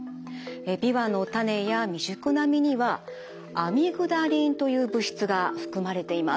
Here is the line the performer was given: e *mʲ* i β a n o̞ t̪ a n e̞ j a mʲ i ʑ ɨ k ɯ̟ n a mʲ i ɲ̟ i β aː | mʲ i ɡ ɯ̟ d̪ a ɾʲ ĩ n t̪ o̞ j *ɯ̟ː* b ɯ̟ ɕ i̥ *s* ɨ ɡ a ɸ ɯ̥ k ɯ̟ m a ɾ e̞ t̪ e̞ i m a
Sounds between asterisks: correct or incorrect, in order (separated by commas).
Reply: incorrect, correct, incorrect